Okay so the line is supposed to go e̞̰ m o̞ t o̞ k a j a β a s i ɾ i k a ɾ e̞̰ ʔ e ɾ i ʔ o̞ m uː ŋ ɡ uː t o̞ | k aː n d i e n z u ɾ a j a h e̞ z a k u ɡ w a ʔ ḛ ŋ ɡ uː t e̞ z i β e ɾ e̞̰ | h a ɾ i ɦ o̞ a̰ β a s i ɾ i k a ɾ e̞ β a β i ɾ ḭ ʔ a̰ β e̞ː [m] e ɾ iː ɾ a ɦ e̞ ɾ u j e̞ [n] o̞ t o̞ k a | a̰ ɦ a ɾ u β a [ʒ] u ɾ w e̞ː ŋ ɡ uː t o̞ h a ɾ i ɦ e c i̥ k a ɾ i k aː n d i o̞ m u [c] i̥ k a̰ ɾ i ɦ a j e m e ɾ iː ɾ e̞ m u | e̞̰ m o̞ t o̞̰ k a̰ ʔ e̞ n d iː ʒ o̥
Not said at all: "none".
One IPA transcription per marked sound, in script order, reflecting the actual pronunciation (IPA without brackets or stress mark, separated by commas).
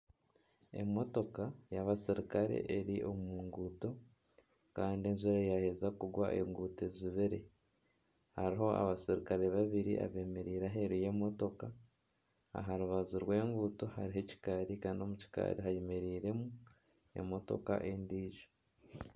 m, m, z, c